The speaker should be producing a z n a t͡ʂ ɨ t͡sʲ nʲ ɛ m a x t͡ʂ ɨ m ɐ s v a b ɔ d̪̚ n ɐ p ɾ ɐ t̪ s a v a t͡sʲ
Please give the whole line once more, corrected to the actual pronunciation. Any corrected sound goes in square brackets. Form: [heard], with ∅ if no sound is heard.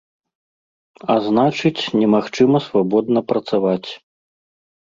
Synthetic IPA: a z n a t͡ʂ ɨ t͡sʲ nʲ ɛ m a x t͡ʂ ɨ m ɐ s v a b ɔ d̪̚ n ɐ p ɾ ɐ t̪ s a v a t͡sʲ